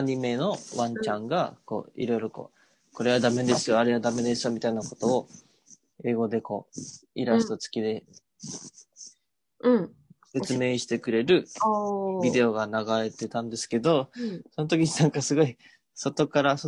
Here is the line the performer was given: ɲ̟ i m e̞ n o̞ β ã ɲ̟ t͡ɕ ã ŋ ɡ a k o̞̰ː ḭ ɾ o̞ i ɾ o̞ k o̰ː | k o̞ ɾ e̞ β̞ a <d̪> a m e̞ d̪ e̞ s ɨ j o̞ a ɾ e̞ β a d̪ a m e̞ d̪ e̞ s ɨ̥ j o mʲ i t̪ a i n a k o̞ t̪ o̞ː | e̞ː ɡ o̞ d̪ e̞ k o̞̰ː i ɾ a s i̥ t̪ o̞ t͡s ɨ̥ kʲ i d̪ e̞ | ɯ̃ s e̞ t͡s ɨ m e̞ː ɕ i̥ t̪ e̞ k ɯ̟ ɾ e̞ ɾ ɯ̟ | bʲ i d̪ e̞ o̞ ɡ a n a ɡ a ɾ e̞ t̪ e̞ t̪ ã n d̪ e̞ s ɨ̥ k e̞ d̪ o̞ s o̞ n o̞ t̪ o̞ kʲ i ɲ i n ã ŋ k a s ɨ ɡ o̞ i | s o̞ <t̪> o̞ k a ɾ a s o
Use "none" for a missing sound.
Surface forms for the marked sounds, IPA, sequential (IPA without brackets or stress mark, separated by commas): d̪, t̪